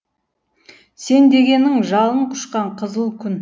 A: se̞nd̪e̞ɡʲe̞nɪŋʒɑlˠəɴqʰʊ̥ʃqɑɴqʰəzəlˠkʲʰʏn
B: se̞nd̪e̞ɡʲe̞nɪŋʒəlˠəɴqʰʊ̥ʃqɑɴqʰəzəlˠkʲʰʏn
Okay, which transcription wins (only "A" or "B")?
A